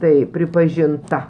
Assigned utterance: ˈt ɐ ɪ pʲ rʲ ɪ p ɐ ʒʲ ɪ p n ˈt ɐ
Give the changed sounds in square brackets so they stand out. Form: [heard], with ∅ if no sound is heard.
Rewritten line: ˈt ɐ ɪ pʲ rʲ ɪ p ɐ ʒʲ ɪ [∅] n ˈt ɐ